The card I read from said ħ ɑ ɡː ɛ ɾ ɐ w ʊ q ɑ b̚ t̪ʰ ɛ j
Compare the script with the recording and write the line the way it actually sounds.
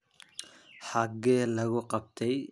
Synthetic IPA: ħ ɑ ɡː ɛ l ɐ ɣ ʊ q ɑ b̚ t̪ʰ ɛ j